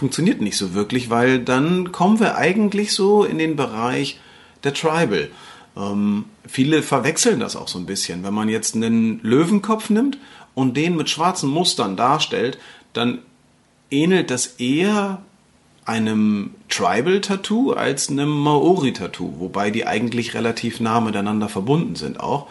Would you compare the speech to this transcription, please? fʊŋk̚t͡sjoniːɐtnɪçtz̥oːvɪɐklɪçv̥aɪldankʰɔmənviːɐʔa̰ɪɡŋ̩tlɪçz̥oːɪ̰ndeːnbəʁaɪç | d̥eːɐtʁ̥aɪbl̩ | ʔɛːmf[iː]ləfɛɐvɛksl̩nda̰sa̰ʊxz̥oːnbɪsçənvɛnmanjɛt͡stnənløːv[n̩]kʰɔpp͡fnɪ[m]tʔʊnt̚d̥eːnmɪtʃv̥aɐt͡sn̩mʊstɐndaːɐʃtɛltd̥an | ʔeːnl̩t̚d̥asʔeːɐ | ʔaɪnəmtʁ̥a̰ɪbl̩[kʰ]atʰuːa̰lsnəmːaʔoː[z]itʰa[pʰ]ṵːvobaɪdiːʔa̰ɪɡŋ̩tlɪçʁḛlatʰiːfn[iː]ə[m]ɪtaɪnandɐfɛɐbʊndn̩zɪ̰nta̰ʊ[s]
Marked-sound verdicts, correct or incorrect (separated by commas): correct, correct, correct, incorrect, incorrect, incorrect, incorrect, correct, incorrect